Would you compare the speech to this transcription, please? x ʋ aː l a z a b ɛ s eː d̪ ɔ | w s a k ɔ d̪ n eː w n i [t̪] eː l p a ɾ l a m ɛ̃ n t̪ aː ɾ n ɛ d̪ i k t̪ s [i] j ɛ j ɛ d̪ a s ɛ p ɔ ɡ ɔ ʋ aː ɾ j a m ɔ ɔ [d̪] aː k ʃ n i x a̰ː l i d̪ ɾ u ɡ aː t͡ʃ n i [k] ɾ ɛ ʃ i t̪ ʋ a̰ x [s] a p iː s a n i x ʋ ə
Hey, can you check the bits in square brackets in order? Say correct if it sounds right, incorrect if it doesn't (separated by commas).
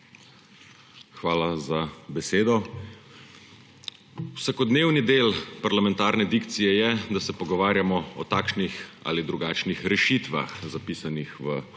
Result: incorrect, correct, incorrect, incorrect, incorrect